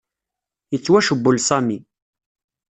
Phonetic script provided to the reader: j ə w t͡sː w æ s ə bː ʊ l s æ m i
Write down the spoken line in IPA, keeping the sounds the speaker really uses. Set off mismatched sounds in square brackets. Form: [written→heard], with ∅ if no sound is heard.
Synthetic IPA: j ə [w→∅] t͡sː w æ [s→ʃ] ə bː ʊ l s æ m i